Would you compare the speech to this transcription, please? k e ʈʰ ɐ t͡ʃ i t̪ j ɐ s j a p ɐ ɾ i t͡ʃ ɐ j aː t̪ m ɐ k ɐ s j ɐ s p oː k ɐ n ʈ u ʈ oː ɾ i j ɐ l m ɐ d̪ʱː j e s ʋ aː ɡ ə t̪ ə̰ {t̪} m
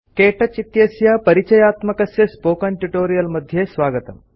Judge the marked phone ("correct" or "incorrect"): incorrect